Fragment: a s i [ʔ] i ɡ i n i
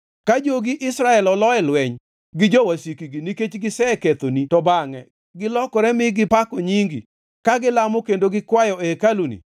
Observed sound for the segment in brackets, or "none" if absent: k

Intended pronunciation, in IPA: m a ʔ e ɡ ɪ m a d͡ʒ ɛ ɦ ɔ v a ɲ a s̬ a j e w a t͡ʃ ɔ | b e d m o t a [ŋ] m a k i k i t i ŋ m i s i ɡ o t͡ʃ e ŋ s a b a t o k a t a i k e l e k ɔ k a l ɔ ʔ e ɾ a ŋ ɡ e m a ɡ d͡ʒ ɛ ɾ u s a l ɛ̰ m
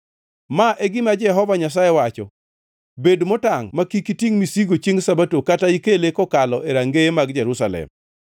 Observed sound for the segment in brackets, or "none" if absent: ŋ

